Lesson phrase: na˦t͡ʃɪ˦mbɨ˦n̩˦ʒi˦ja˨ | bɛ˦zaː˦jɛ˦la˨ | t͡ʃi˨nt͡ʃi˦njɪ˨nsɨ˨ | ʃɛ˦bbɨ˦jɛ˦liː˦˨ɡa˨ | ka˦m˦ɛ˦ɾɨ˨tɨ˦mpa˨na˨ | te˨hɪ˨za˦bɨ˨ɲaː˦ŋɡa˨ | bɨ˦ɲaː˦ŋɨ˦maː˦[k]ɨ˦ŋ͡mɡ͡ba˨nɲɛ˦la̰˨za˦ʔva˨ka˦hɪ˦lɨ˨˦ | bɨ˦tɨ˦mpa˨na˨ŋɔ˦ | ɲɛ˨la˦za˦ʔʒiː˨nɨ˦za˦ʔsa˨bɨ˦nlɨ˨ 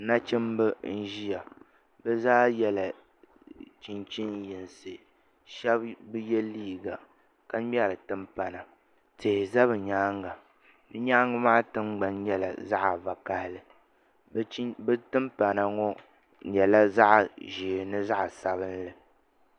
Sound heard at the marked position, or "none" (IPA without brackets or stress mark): t